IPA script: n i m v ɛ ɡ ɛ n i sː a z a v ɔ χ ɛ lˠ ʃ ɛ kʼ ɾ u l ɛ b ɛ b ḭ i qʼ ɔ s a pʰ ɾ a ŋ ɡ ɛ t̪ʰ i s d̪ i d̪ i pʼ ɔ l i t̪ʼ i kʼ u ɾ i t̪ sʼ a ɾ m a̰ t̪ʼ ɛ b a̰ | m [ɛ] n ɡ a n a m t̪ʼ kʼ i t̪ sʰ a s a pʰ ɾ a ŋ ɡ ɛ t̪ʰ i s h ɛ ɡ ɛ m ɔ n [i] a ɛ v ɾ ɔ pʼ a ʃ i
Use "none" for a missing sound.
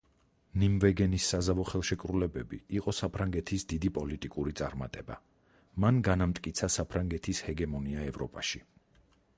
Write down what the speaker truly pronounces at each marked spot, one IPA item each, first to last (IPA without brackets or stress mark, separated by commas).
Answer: a, i